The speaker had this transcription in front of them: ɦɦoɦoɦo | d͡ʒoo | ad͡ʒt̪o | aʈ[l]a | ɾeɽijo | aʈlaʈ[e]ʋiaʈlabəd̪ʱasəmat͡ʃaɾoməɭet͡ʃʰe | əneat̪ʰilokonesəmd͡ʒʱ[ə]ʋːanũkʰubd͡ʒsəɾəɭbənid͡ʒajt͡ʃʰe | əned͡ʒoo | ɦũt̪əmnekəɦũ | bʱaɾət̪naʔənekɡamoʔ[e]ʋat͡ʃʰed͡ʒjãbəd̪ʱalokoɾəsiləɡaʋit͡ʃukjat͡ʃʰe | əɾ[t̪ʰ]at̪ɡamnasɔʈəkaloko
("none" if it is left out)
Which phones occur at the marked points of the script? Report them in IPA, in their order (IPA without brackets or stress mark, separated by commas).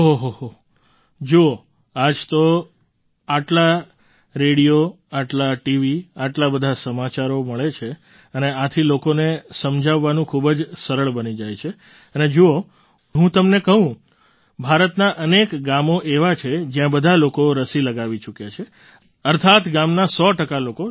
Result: l, i, a, e, t̪ʰ